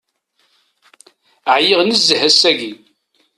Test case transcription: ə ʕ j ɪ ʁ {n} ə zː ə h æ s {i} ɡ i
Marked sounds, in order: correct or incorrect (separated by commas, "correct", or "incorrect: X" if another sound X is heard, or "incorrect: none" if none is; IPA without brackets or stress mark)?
correct, incorrect: æ